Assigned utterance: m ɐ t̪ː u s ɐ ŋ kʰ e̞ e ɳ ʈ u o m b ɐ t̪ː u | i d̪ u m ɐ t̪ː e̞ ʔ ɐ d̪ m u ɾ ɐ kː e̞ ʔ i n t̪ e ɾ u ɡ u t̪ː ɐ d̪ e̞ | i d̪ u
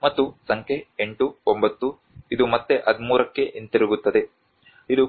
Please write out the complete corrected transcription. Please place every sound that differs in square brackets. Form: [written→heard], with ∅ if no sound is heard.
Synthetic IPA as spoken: m ɐ t̪ː u s ɐ ŋ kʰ e̞ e ɳ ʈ u o m b ɐ t̪ː u | i d̪ u m ɐ t̪ː e̞ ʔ ɐ d̪ m [u→uː] ɾ ɐ kː e̞ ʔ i n t̪ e ɾ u ɡ u t̪ː ɐ d̪ e̞ | i d̪ u